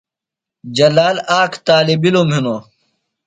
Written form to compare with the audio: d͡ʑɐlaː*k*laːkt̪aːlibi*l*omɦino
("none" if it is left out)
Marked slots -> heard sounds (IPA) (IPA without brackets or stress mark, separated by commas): none, l